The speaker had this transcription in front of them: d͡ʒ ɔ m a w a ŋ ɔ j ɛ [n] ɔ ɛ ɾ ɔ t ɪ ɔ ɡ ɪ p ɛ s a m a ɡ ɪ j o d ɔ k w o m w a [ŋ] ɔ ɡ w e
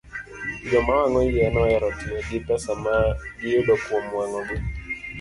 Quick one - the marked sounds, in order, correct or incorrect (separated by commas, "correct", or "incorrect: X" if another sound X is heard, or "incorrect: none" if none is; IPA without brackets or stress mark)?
correct, correct